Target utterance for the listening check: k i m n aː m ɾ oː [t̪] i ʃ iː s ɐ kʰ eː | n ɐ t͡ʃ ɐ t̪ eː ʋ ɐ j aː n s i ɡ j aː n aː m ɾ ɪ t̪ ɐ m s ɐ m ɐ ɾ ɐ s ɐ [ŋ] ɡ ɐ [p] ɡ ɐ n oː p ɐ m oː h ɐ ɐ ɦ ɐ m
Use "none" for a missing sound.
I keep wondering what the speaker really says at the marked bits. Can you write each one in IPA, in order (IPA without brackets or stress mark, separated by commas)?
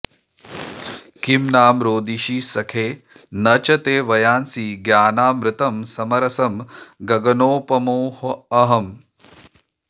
d̪, m, none